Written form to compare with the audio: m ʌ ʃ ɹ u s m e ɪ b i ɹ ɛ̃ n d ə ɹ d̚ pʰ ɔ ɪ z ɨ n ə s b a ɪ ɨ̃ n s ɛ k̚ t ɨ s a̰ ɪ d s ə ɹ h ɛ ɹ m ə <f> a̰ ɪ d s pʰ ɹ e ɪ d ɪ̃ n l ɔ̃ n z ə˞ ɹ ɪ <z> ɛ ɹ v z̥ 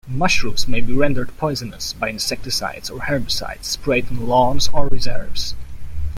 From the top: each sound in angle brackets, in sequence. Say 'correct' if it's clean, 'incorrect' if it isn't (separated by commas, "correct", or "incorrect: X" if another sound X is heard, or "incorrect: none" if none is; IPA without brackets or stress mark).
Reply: incorrect: s, correct